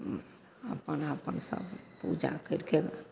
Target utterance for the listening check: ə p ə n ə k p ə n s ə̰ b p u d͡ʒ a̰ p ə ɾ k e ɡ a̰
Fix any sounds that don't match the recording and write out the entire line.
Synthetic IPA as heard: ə p ə n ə p ə n s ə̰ b p u d͡ʒ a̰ k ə ɾ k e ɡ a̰